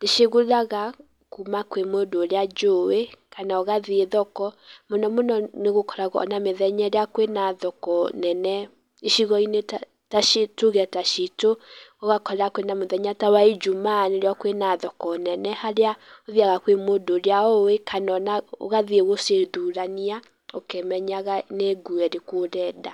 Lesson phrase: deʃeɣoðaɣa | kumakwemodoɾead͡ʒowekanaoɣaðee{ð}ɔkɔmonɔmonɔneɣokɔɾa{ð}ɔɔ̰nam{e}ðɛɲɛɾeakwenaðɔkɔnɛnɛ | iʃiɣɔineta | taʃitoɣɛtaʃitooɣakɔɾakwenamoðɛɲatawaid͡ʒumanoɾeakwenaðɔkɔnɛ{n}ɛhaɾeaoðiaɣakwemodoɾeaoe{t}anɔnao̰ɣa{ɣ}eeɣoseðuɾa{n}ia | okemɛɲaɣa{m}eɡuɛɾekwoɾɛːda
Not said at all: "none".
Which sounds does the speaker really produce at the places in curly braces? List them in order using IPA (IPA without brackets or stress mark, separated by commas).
ð, ɣ, e, n, k, ð, n, n